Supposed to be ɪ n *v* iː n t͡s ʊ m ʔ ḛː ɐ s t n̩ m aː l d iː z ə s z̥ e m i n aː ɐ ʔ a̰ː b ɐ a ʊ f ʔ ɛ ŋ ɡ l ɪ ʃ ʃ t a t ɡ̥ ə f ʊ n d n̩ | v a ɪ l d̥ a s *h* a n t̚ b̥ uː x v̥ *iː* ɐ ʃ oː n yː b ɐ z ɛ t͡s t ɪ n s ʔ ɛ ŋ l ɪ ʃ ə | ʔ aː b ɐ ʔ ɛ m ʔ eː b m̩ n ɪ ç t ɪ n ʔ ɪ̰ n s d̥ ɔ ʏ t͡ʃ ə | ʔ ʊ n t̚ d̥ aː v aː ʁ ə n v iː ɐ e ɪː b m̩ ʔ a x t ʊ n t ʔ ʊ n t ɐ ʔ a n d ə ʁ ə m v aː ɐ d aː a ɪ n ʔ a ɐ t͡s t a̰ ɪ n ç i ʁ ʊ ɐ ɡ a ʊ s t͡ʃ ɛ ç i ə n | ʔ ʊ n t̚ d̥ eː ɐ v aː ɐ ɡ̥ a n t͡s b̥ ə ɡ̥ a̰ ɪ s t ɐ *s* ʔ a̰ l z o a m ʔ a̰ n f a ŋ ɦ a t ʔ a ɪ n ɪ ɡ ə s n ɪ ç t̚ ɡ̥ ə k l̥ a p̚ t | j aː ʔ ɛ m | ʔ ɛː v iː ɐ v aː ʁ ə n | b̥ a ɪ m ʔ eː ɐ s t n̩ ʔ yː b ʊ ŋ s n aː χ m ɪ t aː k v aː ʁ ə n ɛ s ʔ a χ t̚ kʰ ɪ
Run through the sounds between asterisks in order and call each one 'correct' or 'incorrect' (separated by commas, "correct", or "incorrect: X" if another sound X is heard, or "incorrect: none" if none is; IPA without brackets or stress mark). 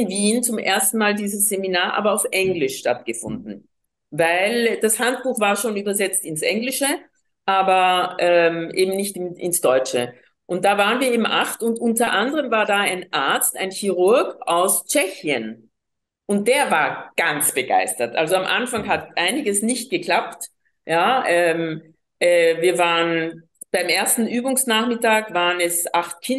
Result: correct, correct, incorrect: aː, incorrect: t